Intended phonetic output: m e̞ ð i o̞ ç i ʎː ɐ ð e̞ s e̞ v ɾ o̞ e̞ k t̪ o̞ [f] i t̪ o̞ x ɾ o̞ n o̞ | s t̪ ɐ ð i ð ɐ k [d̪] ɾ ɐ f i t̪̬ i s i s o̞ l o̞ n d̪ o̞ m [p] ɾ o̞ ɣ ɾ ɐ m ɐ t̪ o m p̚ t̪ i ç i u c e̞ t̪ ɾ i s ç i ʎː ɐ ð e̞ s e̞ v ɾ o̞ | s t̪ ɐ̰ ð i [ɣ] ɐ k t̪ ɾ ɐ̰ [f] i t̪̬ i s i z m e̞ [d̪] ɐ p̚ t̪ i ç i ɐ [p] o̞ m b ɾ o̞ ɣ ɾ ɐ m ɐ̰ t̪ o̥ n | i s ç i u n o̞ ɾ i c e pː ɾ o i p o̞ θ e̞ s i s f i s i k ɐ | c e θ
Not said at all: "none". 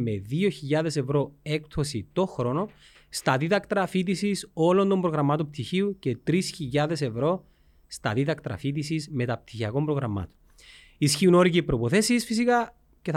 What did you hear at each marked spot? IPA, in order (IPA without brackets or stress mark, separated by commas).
s, t̪, b, ð, f, t̪, k